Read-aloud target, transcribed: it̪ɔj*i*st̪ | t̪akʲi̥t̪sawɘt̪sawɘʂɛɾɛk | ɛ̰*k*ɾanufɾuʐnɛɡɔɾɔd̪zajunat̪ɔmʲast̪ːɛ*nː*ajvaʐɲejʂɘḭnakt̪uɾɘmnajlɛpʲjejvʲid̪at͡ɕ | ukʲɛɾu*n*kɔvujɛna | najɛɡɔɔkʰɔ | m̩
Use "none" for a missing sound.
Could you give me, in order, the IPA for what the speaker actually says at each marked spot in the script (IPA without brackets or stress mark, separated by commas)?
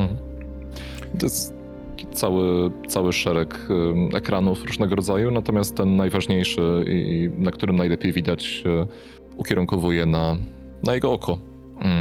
ɛ, k, nː, ŋ